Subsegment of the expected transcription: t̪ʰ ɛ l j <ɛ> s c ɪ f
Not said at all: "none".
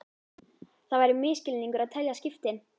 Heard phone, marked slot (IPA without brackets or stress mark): a